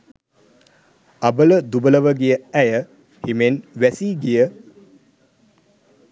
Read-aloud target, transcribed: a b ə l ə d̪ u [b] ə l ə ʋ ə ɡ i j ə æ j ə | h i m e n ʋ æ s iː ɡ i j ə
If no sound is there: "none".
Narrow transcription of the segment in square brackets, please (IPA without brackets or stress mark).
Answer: b